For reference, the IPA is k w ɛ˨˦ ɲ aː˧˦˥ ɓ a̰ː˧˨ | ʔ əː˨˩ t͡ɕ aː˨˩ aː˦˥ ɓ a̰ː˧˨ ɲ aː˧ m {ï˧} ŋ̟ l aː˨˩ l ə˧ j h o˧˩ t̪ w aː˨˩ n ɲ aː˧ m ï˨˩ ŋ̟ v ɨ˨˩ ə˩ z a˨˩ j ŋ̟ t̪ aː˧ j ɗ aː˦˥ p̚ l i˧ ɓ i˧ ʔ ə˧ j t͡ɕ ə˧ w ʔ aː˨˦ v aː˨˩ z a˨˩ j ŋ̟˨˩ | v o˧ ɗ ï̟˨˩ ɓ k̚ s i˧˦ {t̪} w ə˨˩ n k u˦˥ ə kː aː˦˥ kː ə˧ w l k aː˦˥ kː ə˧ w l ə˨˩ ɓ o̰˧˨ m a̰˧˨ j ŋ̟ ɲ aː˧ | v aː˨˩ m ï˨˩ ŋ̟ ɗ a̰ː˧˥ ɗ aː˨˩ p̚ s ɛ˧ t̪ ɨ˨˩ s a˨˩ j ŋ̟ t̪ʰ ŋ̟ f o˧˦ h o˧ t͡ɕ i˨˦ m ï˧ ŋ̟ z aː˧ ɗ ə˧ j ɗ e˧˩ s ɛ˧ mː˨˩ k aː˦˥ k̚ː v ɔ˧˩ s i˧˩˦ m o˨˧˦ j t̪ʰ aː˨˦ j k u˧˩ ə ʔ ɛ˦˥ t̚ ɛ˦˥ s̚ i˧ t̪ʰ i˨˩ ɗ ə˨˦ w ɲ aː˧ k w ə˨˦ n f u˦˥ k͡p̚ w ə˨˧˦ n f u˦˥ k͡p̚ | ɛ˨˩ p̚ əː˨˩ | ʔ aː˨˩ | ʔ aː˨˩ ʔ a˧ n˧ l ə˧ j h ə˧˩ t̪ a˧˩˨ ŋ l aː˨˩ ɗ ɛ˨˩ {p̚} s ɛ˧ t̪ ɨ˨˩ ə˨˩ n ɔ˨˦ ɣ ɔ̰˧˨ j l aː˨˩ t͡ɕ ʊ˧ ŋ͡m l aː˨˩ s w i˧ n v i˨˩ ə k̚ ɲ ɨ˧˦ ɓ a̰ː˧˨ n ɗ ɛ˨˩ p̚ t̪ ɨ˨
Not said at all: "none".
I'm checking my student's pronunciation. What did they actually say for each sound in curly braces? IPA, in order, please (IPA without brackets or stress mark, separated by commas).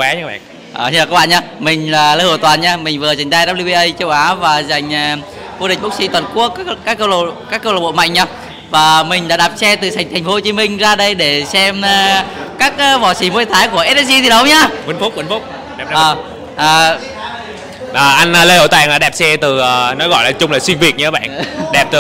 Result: ï˨˩, t̪, p̚